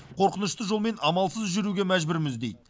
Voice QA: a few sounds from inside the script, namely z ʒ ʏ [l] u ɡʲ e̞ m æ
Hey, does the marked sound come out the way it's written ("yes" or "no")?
no